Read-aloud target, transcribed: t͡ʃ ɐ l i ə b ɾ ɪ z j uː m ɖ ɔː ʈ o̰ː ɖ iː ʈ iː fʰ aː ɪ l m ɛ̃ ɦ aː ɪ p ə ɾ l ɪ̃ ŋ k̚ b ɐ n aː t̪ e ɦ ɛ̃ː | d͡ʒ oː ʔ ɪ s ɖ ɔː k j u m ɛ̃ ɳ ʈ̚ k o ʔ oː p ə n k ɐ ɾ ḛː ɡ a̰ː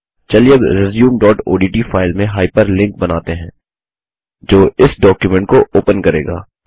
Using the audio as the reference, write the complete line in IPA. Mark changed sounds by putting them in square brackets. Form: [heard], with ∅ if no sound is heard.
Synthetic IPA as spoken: t͡ʃ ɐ l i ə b ɾ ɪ z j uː m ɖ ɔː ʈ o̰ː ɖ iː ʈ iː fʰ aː ɪ l m [ẽ] ɦ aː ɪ p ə ɾ l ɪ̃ ŋ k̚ b ɐ n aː t̪ e ɦ ɛ̃ː | d͡ʒ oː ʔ ɪ s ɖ ɔː k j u m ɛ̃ ɳ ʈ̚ k o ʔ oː p ə n k ɐ ɾ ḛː ɡ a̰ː